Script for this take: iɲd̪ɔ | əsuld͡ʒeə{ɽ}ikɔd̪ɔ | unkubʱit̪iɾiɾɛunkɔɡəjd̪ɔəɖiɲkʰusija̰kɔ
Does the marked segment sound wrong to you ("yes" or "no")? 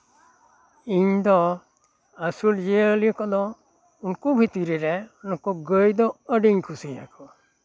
yes